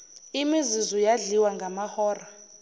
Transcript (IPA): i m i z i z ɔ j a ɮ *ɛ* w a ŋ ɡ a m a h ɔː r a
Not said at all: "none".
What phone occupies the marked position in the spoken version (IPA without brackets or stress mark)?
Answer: i